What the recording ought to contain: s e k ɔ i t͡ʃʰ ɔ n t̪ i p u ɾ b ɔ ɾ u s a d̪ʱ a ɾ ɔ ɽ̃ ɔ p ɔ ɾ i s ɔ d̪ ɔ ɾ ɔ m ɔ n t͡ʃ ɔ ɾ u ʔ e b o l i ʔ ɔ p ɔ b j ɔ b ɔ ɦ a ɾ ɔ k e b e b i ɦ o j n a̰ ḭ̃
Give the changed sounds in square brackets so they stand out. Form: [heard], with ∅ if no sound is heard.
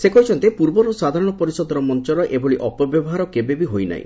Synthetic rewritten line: s e k ɔ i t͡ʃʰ ɔ n t̪ [e] p u ɾ b ɔ ɾ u s a d̪ʱ a ɾ ɔ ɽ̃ ɔ p ɔ ɾ i s ɔ d̪ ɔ ɾ ɔ m ɔ n t͡ʃ ɔ ɾ [ɔ] ʔ e b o [ɭ] i ʔ ɔ p ɔ b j ɔ b ɔ ɦ a ɾ ɔ k e b e b i ɦ o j n a̰ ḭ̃